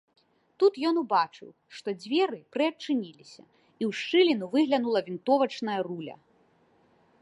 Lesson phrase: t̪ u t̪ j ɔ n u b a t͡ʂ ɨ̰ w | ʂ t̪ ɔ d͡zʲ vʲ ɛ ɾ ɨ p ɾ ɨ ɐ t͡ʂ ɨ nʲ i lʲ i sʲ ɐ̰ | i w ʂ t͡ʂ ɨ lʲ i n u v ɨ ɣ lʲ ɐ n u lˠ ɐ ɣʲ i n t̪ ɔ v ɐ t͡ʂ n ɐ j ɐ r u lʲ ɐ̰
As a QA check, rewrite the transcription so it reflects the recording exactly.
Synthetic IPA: t̪ u t̪ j ɔ n u b a t͡ʂ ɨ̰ w | ʂ t̪ ɔ d͡zʲ vʲ ɛ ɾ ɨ p ɾ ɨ ɐ t͡ʂ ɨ nʲ i lʲ i sʲ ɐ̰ | i w ʂ t͡ʂ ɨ lʲ i n u v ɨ ɣ lʲ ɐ n u lˠ ɐ vʲ i n t̪ ɔ v ɐ t͡ʂ n ɐ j ɐ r u lʲ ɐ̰